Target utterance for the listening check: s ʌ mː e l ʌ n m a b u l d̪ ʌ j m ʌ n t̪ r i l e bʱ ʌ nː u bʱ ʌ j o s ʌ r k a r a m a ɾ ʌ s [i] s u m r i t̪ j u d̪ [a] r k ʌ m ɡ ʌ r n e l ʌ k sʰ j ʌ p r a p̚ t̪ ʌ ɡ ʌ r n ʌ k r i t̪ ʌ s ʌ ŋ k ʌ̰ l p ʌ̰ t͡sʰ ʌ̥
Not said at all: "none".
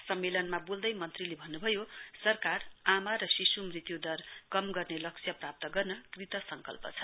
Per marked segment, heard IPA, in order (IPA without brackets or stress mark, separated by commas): i, ʌ